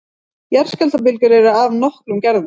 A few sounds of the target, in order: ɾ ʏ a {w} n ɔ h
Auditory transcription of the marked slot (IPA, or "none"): v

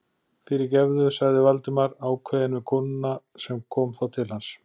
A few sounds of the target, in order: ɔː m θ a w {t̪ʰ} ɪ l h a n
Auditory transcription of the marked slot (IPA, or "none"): t̪ʰ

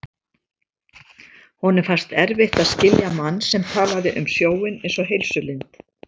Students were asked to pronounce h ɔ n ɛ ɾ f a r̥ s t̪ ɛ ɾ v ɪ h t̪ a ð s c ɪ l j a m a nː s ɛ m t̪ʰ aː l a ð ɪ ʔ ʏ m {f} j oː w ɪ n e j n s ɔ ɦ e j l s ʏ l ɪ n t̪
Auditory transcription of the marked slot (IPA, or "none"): s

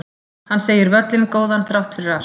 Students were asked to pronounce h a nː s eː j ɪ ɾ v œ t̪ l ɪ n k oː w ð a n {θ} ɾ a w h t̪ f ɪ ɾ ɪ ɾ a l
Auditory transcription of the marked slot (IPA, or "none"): θ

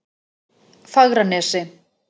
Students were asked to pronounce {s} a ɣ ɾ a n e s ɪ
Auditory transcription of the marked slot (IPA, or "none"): f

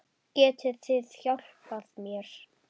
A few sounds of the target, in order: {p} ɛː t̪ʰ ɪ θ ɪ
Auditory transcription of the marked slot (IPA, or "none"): c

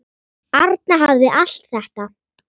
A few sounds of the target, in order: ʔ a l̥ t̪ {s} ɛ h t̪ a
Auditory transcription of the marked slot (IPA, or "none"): θ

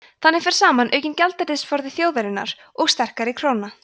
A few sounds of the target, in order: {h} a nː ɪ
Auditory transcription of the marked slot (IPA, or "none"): θ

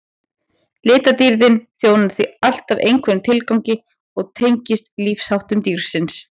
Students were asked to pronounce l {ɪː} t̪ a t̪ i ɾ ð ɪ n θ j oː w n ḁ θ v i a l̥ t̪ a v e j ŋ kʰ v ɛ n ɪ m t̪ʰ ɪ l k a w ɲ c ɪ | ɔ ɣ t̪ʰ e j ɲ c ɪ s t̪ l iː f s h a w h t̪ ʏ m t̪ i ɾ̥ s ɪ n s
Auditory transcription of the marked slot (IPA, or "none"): ɪː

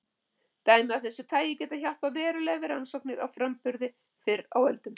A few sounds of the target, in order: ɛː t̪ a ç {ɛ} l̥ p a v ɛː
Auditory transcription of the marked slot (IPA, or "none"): a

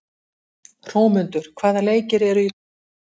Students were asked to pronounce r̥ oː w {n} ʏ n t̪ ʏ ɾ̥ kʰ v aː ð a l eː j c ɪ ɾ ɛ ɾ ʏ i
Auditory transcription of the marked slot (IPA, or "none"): m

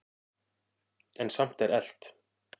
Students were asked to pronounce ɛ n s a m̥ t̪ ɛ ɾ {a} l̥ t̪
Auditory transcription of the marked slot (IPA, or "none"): ɛ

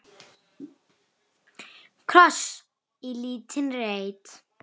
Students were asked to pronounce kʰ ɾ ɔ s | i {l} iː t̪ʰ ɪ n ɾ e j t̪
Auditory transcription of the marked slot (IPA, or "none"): l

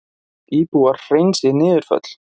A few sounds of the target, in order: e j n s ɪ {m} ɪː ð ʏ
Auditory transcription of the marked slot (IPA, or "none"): n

